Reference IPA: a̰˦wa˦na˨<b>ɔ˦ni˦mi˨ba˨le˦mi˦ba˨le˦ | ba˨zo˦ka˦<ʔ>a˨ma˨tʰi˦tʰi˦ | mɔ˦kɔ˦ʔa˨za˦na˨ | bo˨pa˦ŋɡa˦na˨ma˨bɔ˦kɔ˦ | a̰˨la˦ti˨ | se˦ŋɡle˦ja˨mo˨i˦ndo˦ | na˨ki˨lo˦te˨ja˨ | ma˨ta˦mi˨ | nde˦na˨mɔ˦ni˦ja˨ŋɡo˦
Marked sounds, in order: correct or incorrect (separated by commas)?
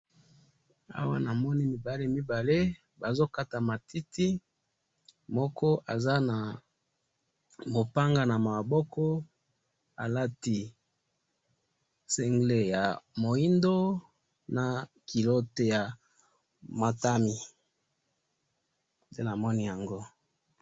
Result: incorrect, incorrect